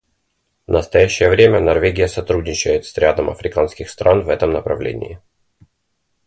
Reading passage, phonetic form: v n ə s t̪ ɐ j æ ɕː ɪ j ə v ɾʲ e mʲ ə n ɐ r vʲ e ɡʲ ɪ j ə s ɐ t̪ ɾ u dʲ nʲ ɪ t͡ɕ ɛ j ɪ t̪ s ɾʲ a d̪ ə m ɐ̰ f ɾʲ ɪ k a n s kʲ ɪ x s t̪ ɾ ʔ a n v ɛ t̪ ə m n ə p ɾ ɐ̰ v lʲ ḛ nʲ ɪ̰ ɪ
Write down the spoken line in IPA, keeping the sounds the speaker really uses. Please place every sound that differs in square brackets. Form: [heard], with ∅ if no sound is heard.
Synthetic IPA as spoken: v n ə s t̪ ɐ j æ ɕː ɪ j ə v ɾʲ e mʲ ə n ɐ r vʲ e ɡʲ ɪ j ə s ɐ t̪ ɾ u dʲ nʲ ɪ t͡ɕ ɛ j ɪ t̪ s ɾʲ a d̪ ə m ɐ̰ f ɾʲ ɪ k a n s kʲ ɪ x s t̪ ɾ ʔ a n v ɛ t̪ ə m n ə p ɾ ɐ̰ v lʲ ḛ nʲ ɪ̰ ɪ

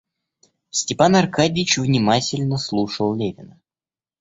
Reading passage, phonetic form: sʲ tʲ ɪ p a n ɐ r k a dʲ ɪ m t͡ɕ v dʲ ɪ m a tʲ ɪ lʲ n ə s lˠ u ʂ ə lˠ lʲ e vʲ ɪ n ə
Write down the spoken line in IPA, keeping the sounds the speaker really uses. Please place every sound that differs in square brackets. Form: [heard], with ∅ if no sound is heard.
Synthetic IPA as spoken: sʲ tʲ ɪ p a n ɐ r k a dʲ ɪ [∅] t͡ɕ v [nʲ] ɪ m a tʲ ɪ lʲ n ə s lˠ u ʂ ə lˠ lʲ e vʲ ɪ n ə

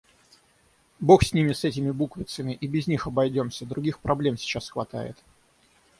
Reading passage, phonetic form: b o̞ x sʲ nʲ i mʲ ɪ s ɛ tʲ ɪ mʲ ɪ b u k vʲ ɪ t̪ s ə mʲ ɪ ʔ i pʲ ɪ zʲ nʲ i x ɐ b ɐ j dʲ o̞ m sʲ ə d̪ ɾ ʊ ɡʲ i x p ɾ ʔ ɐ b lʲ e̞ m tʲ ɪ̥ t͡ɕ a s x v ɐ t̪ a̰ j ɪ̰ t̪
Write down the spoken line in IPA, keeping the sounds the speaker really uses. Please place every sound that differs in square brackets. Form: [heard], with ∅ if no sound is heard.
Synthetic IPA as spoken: b o̞ x sʲ nʲ i mʲ ɪ s ɛ tʲ ɪ mʲ ɪ b u k vʲ ɪ t̪ s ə mʲ ɪ ʔ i [bʲ] ɪ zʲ nʲ i x ɐ b ɐ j dʲ o̞ m sʲ ə d̪ ɾ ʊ ɡʲ i x p ɾ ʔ ɐ b lʲ e̞ m [sʲ] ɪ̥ t͡ɕ a s x v ɐ t̪ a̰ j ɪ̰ t̪

